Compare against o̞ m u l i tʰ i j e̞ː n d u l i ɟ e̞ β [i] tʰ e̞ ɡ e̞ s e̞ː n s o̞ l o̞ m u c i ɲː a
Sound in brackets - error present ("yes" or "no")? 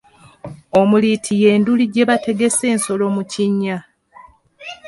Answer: yes